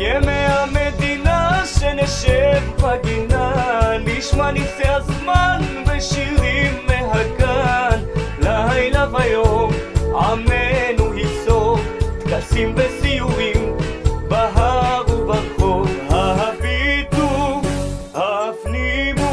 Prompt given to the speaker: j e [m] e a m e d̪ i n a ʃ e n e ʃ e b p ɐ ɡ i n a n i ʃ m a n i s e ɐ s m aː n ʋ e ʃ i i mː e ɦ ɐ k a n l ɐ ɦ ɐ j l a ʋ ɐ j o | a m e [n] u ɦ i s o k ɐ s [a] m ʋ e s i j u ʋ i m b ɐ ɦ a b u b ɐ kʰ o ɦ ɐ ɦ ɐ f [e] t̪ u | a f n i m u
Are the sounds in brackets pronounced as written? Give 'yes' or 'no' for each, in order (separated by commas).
yes, yes, no, no